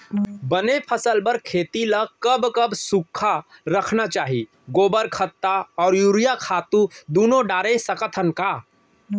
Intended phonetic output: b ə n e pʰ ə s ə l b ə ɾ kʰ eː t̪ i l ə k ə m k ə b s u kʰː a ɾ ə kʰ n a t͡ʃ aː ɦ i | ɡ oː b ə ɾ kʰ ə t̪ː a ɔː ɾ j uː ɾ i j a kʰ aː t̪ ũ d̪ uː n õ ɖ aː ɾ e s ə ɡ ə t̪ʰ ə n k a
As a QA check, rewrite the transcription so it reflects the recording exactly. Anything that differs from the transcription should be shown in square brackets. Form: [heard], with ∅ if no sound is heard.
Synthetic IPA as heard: b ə n e pʰ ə s ə l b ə ɾ kʰ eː t̪ i l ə k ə [b] k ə b s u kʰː a ɾ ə kʰ n a t͡ʃ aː ɦ i | ɡ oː b ə ɾ kʰ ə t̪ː a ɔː ɾ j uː ɾ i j a kʰ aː t̪ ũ d̪ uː n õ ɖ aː ɾ e s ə [k] ə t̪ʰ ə n k a